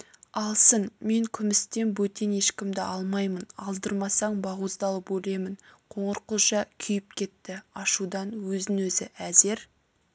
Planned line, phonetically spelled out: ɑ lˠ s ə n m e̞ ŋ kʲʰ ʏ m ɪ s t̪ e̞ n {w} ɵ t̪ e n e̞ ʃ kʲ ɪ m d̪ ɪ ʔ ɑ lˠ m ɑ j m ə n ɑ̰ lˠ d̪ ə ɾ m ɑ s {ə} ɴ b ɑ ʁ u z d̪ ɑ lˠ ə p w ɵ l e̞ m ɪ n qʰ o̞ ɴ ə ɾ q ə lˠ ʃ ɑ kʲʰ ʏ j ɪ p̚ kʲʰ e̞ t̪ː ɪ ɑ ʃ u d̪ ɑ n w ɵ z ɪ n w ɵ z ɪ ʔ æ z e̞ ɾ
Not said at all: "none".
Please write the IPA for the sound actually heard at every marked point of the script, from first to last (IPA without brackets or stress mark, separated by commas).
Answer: b, ɑ